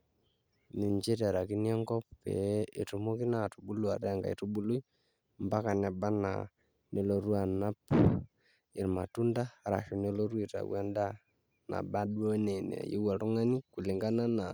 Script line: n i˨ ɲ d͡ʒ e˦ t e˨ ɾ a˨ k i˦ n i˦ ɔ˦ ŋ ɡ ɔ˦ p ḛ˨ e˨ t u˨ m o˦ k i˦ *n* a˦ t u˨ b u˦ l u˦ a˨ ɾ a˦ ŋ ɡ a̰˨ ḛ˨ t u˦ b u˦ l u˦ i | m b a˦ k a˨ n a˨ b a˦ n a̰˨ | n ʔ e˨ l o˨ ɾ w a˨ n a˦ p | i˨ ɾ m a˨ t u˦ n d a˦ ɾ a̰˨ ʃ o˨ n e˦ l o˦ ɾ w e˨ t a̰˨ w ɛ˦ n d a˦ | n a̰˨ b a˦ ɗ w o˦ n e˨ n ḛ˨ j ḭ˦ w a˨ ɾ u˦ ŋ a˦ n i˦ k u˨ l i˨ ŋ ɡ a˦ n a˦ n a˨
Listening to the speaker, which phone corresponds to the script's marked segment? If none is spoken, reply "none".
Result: n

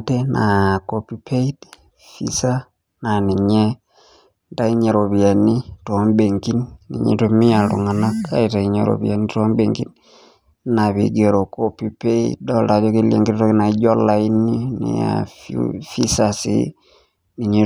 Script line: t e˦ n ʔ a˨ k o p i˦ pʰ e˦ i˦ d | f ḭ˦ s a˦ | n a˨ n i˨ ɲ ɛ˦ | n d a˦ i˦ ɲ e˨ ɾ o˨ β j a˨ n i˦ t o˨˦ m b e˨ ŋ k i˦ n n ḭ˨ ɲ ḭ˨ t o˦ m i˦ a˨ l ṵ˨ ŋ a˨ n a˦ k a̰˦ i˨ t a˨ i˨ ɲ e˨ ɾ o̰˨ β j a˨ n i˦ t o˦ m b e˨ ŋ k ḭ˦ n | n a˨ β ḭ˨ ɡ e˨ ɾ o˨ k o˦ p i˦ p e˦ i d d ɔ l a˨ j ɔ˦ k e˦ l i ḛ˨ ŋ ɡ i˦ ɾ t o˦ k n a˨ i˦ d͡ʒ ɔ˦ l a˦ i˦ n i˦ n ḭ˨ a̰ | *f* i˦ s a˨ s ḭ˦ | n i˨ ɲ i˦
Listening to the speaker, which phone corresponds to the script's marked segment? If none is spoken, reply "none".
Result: f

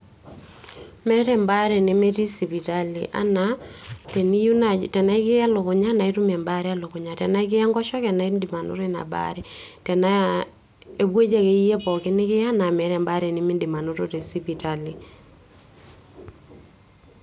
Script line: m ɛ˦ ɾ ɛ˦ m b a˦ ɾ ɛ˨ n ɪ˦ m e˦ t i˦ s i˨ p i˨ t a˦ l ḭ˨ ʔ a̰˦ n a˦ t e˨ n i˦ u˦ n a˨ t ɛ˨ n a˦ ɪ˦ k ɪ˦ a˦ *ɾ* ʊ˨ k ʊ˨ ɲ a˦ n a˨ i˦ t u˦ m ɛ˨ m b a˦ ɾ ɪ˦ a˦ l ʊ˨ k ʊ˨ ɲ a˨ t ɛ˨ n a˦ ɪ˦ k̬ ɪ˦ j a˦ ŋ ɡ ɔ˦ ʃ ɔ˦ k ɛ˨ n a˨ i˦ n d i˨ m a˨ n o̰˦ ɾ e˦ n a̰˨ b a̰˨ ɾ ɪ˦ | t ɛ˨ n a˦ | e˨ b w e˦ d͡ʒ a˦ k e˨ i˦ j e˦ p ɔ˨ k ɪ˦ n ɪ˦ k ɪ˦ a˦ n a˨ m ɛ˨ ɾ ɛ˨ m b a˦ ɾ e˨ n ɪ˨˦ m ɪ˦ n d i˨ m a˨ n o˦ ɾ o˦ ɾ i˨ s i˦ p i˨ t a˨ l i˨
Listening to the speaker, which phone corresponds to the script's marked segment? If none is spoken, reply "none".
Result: l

